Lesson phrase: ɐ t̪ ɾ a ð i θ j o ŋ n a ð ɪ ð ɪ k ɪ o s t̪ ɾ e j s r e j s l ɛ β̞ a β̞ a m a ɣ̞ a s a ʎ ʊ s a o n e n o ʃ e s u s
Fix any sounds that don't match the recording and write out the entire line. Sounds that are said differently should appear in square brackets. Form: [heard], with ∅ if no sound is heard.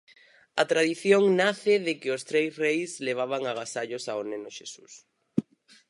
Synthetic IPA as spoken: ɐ t̪ ɾ a ð i θ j o ŋ n a [θ] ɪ ð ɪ k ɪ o s t̪ ɾ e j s r e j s l [e] β̞ a β̞ a [ŋ] a ɣ̞ a s a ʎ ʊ s a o n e n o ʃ e s u s